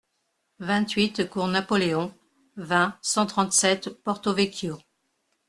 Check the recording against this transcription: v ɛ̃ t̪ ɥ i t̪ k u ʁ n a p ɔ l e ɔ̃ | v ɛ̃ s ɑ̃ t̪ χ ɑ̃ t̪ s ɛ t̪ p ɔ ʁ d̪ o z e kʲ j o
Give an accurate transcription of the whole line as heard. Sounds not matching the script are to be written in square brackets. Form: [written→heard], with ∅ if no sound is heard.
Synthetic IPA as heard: v ɛ̃ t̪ ɥ i t̪ k u ʁ n a p ɔ l e ɔ̃ | v ɛ̃ s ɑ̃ t̪ χ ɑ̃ t̪ s ɛ t̪ p ɔ ʁ [d̪→t̪] o [z→v] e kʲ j o